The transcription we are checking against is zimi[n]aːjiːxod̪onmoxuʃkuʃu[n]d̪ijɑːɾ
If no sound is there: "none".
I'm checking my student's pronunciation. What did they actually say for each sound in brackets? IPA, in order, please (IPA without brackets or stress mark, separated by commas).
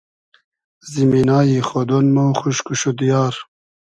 n, none